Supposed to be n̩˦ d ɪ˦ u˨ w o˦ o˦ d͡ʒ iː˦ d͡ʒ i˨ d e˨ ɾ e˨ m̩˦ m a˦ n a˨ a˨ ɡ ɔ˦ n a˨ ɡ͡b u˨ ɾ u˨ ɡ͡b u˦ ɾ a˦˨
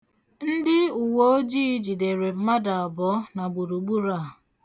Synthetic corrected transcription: n̩˦ d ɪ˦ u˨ w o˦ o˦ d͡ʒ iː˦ d͡ʒ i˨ d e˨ ɾ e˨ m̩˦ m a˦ d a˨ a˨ b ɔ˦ n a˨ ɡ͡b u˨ ɾ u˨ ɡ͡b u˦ ɾ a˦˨